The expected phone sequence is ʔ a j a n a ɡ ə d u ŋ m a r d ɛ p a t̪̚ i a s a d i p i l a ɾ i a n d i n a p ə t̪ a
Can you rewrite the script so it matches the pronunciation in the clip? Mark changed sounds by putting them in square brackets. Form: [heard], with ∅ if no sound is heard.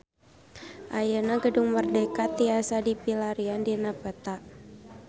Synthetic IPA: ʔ a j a n a ɡ ə d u ŋ m [ə] r d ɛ [k] a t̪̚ i a s a d i p i l a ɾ i a n d i n a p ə t̪ a